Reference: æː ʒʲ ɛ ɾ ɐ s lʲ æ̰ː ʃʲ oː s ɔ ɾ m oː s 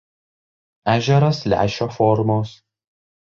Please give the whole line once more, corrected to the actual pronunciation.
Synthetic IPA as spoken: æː ʒʲ ɛ ɾ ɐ s lʲ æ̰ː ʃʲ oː f ɔ ɾ m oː s

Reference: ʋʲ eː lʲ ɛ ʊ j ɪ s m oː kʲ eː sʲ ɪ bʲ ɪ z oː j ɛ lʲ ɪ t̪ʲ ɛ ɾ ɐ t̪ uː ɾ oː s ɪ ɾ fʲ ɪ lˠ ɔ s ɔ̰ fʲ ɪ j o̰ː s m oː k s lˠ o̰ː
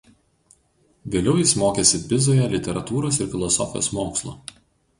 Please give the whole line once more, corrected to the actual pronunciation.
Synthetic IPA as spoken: ʋʲ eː lʲ ɛ ʊ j ɪ s m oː kʲ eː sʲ ɪ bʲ ɪ z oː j ɛ lʲ ɪ t̪ʲ ɛ ɾ ɐ t̪ uː ɾ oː s ɪ ɾ fʲ ɪ lˠ ɔ s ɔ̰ fʲ ɪ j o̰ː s m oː k s lˠ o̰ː

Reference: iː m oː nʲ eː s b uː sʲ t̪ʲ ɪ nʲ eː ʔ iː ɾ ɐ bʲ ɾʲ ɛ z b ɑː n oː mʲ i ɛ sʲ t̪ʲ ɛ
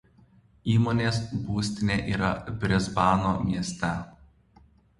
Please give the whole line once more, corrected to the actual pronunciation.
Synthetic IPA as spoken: iː m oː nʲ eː s b uː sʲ t̪ʲ ɪ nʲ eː ʔ iː ɾ ɐ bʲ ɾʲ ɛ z b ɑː n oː mʲ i ɛ sʲ t̪ʲ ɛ

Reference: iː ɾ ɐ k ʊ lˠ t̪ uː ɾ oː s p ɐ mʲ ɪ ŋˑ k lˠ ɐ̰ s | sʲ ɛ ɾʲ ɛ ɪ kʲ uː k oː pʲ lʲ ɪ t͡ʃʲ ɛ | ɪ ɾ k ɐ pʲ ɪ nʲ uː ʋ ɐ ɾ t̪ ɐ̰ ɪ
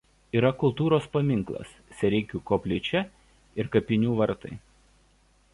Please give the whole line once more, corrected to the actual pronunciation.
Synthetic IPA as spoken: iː ɾ ɐ k ʊ lˠ t̪ uː ɾ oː s p ɐ mʲ ɪ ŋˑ k lˠ ɐ̰ s | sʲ ɛ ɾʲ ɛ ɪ kʲ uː k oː pʲ lʲ ɪ t͡ʃʲ ɛ | ɪ ɾ k ɐ pʲ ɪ nʲ uː ʋ ɐ ɾ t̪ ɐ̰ ɪ

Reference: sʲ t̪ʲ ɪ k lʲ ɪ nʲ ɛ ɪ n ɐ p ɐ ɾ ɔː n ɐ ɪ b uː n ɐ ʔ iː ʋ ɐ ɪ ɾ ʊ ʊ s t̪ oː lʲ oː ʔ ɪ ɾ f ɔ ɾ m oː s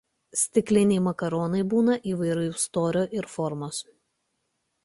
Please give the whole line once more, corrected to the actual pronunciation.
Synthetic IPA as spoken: sʲ t̪ʲ ɪ k lʲ ɪ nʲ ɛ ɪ m ɐ k ɐ ɾ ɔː n ɐ ɪ b uː n ɐ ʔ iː ʋ ɐ ɪ ɾ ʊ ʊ s t̪ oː ɾʲ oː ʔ ɪ ɾ f ɔ ɾ m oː s

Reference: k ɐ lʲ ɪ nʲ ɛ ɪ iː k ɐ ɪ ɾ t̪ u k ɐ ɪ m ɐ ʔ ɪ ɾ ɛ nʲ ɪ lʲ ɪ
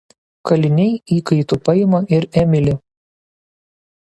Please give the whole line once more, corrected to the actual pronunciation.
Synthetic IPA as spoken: k ɐ lʲ ɪ nʲ ɛ ɪ iː k ɐ ɪ t̪ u p ɐ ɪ m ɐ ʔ ɪ ɾ ɛ mʲ ɪ lʲ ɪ

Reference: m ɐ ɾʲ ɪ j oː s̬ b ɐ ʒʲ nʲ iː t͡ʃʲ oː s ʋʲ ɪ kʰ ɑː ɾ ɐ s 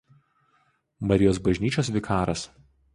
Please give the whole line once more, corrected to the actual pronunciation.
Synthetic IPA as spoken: m ɐ ɾʲ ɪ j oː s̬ b ɐ ʒʲ nʲ iː t͡ʃʲ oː s ʋʲ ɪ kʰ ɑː ɾ ɐ s

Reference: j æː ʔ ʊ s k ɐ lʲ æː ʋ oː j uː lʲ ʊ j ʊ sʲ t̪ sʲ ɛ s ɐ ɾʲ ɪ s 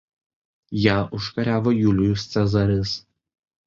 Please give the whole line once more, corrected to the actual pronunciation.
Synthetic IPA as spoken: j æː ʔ ʊ ʃ k ɐ ɾʲ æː ʋ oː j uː lʲ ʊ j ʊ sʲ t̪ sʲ ɛ z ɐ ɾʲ ɪ s

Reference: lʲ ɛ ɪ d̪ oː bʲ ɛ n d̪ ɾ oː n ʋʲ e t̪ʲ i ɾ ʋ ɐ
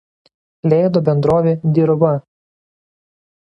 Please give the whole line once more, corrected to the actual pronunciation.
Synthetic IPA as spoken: lʲ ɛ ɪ d̪ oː bʲ ɛ n d̪ ɾ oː ʋʲ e d̪ʲ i ɾ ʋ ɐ

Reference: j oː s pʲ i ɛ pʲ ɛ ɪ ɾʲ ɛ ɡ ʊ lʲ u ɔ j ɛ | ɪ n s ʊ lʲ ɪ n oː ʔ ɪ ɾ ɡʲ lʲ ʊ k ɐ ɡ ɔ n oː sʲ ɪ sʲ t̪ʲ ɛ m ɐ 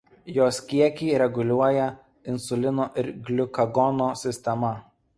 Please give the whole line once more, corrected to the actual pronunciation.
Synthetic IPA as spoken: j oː s kʲ i ɛ kʲ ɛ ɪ ɾʲ ɛ ɡ ʊ lʲ u ɔ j ɛ | ɪ n s ʊ lʲ ɪ n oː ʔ ɪ ɾ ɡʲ lʲ ʊ k ɐ ɡ ɔ n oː sʲ ɪ sʲ t̪ʲ ɛ m ɐ

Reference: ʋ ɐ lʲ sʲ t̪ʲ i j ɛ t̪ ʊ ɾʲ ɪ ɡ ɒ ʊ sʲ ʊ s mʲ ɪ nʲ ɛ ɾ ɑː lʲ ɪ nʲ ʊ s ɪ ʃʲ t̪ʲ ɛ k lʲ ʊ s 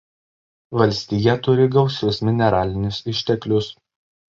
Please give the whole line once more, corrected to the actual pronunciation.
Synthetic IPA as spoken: ʋ ɐ lʲ sʲ t̪ʲ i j ɛ t̪ ʊ ɾʲ ɪ ɡ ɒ ʊ sʲ ʊ s mʲ ɪ nʲ ɛ ɾ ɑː lʲ ɪ nʲ ʊ s ɪ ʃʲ t̪ʲ ɛ k lʲ ʊ s

